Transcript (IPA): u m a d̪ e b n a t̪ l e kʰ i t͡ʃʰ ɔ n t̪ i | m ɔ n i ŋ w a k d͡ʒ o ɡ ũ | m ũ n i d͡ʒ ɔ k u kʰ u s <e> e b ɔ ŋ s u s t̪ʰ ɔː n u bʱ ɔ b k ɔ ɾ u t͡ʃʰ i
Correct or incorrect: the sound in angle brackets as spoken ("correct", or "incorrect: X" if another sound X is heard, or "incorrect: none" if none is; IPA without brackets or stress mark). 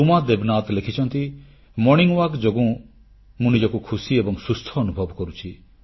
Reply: incorrect: i